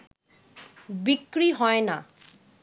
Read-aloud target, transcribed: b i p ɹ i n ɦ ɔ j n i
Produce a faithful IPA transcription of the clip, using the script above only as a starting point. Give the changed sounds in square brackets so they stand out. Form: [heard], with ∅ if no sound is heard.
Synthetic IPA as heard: b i [k] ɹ i [∅] ɦ ɔ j n [a]